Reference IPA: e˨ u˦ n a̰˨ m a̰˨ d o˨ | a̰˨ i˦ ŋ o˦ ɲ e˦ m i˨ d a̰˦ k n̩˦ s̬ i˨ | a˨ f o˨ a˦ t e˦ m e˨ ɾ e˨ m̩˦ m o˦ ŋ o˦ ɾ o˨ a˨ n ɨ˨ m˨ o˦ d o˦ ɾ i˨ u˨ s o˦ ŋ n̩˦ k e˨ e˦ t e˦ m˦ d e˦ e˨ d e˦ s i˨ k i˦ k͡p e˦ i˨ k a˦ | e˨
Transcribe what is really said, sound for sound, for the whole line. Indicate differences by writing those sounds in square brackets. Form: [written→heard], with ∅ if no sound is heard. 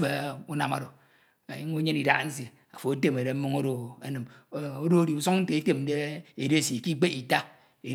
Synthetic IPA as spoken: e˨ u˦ n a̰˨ m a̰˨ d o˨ | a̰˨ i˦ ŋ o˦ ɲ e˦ [m→n] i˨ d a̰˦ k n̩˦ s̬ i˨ | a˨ f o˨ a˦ t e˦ m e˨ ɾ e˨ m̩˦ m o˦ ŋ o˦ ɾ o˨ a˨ n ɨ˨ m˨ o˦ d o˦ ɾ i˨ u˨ s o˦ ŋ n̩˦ [k→t] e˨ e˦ t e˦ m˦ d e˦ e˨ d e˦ s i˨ k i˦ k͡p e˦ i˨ [k→t] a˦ | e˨

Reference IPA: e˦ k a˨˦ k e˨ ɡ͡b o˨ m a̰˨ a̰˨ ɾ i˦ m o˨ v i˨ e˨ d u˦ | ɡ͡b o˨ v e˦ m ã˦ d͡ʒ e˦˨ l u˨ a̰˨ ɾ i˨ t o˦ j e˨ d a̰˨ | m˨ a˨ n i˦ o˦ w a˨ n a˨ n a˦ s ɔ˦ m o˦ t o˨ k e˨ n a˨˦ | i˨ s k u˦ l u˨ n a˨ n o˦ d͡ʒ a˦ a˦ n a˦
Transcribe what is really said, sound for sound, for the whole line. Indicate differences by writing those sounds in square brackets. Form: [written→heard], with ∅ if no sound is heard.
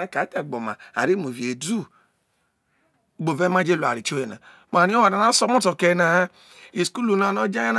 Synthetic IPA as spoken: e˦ k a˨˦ [k→t] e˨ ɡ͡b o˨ m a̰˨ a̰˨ ɾ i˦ m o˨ v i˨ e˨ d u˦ | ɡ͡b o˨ v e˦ m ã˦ d͡ʒ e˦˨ l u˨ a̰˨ ɾ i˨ [t→t͡ʃ] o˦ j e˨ [d→n] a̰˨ | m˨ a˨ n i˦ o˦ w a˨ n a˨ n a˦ s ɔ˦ m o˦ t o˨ k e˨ n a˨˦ | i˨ s k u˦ l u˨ n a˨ n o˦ d͡ʒ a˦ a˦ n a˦

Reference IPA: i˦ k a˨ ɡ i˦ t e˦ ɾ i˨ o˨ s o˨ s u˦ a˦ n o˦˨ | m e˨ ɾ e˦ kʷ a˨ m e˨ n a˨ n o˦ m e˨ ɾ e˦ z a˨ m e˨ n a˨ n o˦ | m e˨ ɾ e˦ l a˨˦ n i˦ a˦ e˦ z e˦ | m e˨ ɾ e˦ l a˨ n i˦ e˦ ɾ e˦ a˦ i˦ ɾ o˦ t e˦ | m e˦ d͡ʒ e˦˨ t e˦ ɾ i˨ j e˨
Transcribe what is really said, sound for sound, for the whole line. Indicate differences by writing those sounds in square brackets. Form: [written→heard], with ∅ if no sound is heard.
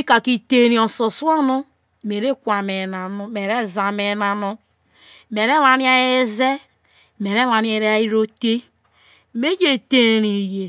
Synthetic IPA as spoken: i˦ k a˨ [ɡ→k] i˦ t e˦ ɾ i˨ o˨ s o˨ s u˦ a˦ n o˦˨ | m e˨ ɾ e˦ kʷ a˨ m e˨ n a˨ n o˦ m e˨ ɾ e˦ z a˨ m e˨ n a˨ n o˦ | m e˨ ɾ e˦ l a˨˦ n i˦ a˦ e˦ z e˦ | m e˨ ɾ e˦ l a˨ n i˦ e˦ ɾ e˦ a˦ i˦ ɾ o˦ t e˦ | m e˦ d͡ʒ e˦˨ t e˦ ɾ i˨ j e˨

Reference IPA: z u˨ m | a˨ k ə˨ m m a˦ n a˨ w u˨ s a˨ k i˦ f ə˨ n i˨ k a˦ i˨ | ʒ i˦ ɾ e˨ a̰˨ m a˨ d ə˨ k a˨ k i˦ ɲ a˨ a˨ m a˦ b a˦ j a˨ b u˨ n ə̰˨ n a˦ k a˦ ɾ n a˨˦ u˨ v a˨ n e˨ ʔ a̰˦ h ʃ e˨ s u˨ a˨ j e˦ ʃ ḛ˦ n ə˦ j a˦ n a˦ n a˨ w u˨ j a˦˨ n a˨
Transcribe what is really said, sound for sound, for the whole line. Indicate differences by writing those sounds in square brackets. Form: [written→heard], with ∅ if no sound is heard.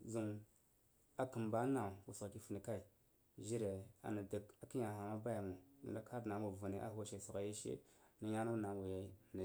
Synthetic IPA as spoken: z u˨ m | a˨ k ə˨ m [m→b] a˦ n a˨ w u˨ s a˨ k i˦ f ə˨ n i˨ k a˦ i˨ | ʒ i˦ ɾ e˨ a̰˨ [m→n] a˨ d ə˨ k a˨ k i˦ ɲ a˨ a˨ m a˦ b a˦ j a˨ [b→m] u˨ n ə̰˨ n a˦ k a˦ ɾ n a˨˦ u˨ v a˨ n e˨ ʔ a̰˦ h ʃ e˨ s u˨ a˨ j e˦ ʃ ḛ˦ n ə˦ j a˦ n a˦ n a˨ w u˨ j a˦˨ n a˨

